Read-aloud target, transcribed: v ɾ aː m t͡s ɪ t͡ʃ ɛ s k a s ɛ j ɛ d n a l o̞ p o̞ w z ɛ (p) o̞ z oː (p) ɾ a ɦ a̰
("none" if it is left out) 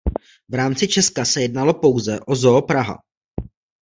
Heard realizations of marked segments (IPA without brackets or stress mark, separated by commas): ʔ, p